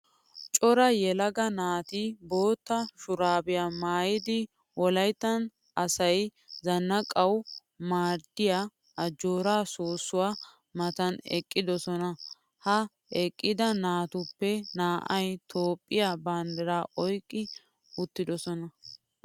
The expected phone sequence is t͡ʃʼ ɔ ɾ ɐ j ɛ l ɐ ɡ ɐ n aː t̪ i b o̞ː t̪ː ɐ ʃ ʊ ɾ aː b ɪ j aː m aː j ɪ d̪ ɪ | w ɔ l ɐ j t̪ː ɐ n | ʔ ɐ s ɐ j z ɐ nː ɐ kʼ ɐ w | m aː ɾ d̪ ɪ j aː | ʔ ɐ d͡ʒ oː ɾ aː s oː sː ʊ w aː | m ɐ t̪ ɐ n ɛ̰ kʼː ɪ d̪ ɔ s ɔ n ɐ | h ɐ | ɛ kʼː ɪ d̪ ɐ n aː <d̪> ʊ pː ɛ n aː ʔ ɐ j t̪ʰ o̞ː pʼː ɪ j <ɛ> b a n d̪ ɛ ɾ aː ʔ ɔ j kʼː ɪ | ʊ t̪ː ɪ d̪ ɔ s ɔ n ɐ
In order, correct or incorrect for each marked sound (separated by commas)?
incorrect, incorrect